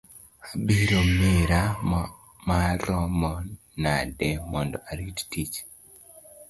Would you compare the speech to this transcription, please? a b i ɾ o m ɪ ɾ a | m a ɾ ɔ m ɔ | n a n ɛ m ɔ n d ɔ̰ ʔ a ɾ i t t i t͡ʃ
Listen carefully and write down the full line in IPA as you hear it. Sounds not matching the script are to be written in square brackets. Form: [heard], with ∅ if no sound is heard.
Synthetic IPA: a b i ɾ o m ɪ ɾ a | m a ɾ ɔ m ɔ | n a [d] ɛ m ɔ n d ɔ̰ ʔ a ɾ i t t i t͡ʃ